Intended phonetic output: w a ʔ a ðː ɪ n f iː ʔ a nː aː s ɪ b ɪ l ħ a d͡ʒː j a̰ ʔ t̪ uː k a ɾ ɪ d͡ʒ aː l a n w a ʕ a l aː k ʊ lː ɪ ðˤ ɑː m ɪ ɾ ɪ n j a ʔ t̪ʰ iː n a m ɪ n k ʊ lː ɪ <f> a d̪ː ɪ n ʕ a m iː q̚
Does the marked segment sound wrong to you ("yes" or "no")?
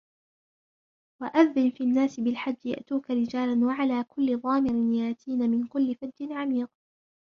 no